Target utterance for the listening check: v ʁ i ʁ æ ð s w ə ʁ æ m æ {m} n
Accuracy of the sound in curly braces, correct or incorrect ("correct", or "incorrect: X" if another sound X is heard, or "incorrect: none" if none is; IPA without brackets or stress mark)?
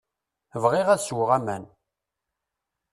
incorrect: none